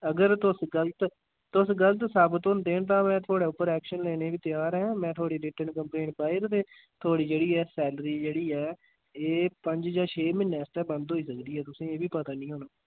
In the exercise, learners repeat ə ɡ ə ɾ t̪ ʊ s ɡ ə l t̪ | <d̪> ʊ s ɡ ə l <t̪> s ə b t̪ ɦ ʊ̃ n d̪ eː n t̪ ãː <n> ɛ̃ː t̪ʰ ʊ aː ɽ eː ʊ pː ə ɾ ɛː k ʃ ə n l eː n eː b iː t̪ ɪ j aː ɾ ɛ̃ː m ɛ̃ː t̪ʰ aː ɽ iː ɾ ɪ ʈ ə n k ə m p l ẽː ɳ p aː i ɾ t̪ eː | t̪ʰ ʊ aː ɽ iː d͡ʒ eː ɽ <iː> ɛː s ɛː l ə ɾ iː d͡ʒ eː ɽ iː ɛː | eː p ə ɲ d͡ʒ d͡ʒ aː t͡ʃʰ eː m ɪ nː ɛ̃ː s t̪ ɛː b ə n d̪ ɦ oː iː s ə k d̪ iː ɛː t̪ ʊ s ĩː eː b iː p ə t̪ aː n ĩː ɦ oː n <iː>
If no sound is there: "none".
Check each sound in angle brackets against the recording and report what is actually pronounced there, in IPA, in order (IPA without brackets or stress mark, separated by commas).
t̪, t̪, m, iː, aː